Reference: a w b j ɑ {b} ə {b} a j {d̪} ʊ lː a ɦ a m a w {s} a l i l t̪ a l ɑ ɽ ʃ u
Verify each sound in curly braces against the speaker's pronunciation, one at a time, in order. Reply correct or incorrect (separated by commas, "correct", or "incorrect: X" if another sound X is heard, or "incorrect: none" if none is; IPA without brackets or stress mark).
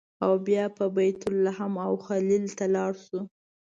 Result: incorrect: p, correct, incorrect: t̪, incorrect: x